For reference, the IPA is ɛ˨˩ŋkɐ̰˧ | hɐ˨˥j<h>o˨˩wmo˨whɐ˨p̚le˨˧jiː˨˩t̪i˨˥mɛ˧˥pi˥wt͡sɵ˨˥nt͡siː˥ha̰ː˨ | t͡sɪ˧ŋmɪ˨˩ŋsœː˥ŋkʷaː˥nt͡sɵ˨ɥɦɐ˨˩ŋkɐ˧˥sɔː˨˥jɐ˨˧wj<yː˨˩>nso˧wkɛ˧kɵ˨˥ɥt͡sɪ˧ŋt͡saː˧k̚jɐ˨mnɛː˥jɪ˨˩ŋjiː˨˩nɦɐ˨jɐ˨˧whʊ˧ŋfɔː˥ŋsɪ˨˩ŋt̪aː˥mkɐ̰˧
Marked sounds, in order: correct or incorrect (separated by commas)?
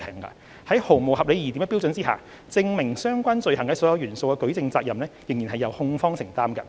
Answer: correct, correct